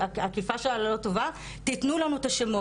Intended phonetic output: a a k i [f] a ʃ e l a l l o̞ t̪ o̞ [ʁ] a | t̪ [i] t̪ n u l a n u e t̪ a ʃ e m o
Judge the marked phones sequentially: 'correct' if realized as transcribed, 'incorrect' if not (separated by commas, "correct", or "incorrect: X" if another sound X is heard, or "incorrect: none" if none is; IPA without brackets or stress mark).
correct, incorrect: v, correct